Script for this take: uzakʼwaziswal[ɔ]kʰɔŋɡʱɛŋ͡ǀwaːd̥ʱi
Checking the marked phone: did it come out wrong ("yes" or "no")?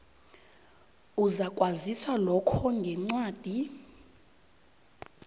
no